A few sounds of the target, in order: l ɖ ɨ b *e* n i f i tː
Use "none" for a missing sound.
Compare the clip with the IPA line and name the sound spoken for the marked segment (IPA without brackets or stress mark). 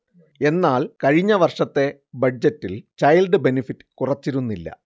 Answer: e